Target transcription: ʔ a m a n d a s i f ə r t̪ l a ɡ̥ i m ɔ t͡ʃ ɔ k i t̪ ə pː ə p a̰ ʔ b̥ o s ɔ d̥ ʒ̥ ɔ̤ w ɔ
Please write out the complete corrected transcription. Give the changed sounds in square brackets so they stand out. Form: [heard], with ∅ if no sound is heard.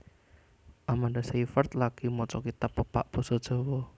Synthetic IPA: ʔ a m a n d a s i f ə r t̪ l a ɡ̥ i m ɔ t͡ʃ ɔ k i t̪ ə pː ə p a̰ ʔ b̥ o s ɔ d̥ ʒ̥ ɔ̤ w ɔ